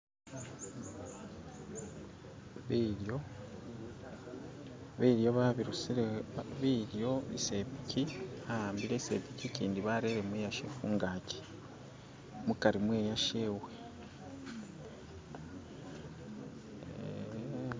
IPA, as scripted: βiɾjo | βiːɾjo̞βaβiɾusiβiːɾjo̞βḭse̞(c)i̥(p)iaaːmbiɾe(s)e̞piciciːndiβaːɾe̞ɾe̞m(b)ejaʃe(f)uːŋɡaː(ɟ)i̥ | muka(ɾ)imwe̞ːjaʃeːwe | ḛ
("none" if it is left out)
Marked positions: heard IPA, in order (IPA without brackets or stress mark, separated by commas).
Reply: p, c, s, w, f, c, ɾ